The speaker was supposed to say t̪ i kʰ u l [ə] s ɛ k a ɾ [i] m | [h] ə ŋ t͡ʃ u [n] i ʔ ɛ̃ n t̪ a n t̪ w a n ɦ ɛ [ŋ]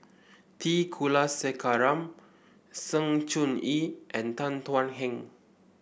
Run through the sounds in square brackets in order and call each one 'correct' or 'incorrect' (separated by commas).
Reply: incorrect, incorrect, incorrect, correct, correct